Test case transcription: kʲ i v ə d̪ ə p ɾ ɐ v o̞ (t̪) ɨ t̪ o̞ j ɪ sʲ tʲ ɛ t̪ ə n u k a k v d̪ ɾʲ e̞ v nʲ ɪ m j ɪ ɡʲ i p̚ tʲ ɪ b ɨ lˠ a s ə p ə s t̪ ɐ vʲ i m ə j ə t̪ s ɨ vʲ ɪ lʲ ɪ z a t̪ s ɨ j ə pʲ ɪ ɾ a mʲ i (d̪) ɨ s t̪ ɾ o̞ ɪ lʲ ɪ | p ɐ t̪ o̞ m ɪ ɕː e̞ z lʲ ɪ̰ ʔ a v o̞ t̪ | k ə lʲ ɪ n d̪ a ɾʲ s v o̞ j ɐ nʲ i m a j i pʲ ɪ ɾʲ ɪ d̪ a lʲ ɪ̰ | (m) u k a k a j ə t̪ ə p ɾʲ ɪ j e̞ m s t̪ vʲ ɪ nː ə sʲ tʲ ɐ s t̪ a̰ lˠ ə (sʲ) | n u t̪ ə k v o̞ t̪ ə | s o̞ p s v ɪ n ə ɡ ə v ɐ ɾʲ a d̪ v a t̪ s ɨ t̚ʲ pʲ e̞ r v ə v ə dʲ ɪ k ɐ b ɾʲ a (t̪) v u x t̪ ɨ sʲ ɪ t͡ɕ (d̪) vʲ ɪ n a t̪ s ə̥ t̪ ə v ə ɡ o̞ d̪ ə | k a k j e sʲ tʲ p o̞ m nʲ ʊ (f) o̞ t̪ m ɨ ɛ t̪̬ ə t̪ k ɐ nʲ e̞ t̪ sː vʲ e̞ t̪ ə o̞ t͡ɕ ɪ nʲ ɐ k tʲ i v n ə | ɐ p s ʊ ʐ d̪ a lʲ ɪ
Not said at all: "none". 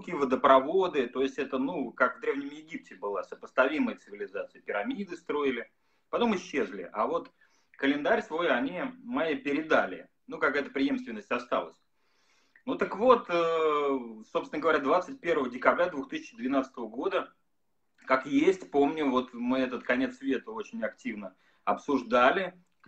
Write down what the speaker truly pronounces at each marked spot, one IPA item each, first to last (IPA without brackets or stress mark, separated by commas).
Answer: d̪, d̪, n, sʲ, d̪, d̪, v